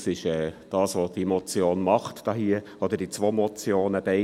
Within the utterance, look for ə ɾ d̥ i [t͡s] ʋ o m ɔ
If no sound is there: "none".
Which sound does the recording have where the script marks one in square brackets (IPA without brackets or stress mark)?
t͡s